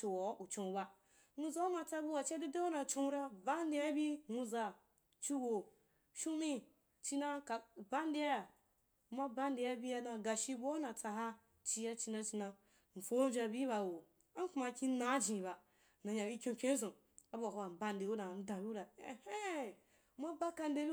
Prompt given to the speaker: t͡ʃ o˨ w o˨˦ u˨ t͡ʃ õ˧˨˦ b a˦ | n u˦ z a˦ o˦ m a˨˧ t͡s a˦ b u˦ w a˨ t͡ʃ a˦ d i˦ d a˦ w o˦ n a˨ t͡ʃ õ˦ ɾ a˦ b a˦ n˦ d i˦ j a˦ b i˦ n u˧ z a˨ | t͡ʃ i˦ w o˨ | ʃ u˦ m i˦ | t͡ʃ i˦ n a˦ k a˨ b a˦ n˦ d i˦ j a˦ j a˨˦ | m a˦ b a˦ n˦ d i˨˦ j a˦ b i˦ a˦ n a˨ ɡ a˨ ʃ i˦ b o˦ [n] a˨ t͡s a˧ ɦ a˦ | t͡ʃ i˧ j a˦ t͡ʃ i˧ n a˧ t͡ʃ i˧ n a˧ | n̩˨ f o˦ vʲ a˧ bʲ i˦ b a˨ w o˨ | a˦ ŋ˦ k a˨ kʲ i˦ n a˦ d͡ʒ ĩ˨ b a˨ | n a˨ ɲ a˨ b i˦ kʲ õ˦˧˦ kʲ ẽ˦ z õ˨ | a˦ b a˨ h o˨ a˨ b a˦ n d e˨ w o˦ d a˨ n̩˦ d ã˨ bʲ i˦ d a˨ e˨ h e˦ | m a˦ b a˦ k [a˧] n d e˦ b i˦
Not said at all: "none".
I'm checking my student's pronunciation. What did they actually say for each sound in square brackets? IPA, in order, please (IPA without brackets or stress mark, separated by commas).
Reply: n, a˧